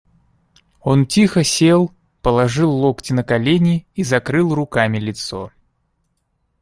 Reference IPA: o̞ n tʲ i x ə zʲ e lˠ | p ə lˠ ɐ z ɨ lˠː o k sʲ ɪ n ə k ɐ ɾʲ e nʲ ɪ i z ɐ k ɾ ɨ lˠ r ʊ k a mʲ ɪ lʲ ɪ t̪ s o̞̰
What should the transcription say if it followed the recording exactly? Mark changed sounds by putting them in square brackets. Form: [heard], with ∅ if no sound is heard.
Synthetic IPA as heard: o̞ n tʲ i x ə [sʲ] e lˠ | p ə lˠ ɐ [ʐ] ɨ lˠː o k [tʲ] ɪ n ə k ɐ [lʲ] e nʲ ɪ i z ɐ k ɾ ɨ lˠ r ʊ k a mʲ ɪ lʲ ɪ t̪ s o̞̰

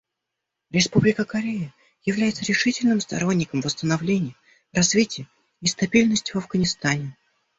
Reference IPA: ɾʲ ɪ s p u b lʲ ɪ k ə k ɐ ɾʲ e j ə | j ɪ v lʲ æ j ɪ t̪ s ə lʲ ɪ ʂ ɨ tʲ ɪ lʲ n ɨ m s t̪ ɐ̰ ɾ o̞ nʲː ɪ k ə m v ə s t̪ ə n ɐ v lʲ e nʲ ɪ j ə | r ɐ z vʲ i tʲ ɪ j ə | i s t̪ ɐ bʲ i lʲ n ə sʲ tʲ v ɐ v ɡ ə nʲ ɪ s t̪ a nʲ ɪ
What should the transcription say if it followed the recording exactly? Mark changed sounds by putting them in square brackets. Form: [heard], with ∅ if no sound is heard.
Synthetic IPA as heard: ɾʲ ɪ s p u b lʲ ɪ k ə k ɐ ɾʲ e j ə | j ɪ v lʲ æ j ɪ t̪ s ə [ɾʲ] ɪ ʂ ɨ tʲ ɪ lʲ n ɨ m s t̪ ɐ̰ ɾ o̞ nʲː ɪ k ə m v ə s t̪ ə n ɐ v lʲ e nʲ ɪ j ə | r ɐ z vʲ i tʲ ɪ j ə | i s t̪ ɐ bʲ i lʲ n ə sʲ tʲ v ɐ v ɡ ə nʲ ɪ s t̪ a nʲ ɪ

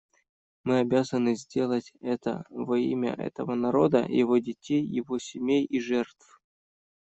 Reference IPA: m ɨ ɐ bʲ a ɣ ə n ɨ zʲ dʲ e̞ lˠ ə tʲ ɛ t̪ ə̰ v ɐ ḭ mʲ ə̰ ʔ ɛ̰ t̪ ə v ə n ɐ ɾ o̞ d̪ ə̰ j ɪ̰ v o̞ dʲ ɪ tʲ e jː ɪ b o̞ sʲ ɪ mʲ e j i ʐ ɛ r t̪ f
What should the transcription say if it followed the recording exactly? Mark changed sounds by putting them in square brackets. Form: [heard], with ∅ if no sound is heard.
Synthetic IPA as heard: m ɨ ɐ bʲ a [z] ə n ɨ zʲ dʲ e̞ lˠ ə tʲ ɛ t̪ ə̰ v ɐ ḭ mʲ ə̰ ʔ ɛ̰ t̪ ə v ə n ɐ ɾ o̞ d̪ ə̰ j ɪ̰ v o̞ dʲ ɪ tʲ e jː ɪ [v] o̞ sʲ ɪ mʲ e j i ʐ ɛ r t̪ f

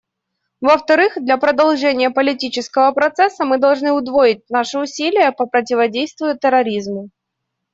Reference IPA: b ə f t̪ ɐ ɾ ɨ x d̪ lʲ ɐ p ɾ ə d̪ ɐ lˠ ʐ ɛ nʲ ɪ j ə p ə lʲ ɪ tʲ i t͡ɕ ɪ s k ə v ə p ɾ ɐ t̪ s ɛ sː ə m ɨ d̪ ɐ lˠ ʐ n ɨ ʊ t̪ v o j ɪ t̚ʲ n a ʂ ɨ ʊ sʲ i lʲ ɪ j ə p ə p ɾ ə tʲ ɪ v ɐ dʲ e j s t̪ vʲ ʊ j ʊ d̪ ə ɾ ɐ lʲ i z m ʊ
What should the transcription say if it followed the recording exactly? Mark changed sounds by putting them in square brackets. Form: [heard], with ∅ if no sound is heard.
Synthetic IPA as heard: [v] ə f t̪ ɐ ɾ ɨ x d̪ lʲ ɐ p ɾ ə d̪ ɐ lˠ ʐ ɛ nʲ ɪ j ə p ə lʲ ɪ tʲ i t͡ɕ ɪ s k ə v ə p ɾ ɐ t̪ s ɛ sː ə m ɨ d̪ ɐ lˠ ʐ n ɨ ʊ [d̪] v o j ɪ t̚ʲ n a ʂ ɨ ʊ sʲ i lʲ ɪ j ə p ə p ɾ ə tʲ ɪ v ɐ dʲ e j s t̪ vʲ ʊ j ʊ [t̪] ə ɾ ɐ [ɾʲ] i z m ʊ

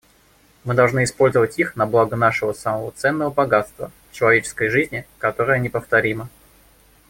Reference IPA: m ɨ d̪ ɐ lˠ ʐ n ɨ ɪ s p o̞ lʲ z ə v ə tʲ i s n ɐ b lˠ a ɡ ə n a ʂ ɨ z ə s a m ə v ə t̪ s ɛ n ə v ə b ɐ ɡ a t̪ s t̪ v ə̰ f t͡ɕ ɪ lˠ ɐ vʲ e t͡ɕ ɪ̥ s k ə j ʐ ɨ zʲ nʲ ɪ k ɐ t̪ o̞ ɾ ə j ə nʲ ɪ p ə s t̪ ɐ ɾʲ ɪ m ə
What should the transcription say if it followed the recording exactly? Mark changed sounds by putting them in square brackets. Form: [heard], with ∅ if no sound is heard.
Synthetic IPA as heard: m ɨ d̪ ɐ lˠ ʐ n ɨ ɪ s p o̞ lʲ z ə v ə tʲ i [x] n ɐ b lˠ a ɡ ə n a ʂ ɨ [v] ə s a m ə v ə t̪ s ɛ [nː] ə v ə b ɐ ɡ a t̪ s t̪ v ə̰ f t͡ɕ ɪ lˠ ɐ vʲ e t͡ɕ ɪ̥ s k ə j ʐ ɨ zʲ nʲ ɪ k ɐ t̪ o̞ ɾ ə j ə nʲ ɪ p ə [f] t̪ ɐ ɾʲ [i] m ə

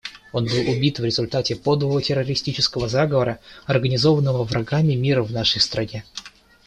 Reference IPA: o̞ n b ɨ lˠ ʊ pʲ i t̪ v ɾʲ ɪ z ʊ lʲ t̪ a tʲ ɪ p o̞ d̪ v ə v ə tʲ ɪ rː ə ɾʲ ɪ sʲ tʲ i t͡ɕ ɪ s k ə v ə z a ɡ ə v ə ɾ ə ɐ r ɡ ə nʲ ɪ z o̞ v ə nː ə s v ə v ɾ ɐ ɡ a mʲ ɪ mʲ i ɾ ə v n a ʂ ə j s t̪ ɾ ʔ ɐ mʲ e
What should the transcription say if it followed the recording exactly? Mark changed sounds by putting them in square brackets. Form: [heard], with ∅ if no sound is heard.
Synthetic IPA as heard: o̞ n b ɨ lˠ ʊ [bʲ] i t̪ v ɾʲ ɪ z ʊ lʲ t̪ a tʲ ɪ p o̞ d̪ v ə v ə tʲ ɪ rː ə ɾʲ ɪ sʲ tʲ i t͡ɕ ɪ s k ə v ə z a ɡ ə v ə ɾ ə ɐ r ɡ ə nʲ ɪ z o̞ v ə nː ə [∅] v ə v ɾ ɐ ɡ a mʲ ɪ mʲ i ɾ ə v n a ʂ ə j s t̪ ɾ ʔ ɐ [nʲ] e

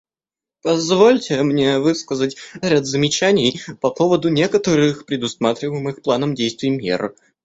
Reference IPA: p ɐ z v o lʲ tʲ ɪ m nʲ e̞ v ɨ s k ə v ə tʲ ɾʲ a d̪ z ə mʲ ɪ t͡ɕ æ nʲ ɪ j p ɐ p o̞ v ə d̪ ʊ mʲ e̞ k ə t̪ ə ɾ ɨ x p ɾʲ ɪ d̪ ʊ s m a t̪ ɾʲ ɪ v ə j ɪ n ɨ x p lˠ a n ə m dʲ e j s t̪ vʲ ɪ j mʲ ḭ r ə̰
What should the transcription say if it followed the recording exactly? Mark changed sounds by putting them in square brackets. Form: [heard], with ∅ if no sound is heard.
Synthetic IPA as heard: p ɐ z v o lʲ tʲ ɪ m nʲ e̞ v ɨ s k ə [z] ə tʲ ɾʲ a d̪ z ə mʲ ɪ t͡ɕ æ nʲ ɪ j p ɐ p o̞ v ə d̪ ʊ [nʲ] e̞ k ə t̪ ə ɾ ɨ x p ɾʲ ɪ d̪ ʊ s m a t̪ ɾʲ ɪ v ə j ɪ [m] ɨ x p lˠ a n ə m dʲ e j s t̪ vʲ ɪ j mʲ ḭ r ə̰

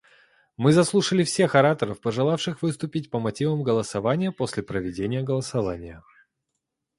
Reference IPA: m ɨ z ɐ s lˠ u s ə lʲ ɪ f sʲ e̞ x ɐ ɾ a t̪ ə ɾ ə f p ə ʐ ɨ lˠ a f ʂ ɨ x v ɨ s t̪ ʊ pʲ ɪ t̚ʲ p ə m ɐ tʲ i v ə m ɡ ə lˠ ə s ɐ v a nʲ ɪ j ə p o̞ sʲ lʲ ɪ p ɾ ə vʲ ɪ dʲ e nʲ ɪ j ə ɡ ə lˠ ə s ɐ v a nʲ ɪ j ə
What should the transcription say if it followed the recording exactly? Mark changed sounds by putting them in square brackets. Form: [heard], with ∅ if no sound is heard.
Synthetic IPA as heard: m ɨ z ɐ s lˠ u [ʂ] ə lʲ ɪ f sʲ e̞ x ɐ ɾ a t̪ ə ɾ ə f p ə ʐ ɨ lˠ a f ʂ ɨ x v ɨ s t̪ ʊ pʲ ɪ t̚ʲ p ə m ɐ tʲ i v ə m ɡ ə lˠ ə s ɐ v a nʲ ɪ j ə p o̞ sʲ lʲ ɪ p ɾ ə vʲ ɪ dʲ e nʲ ɪ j ə ɡ ə lˠ ə s ɐ v a nʲ ɪ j ə

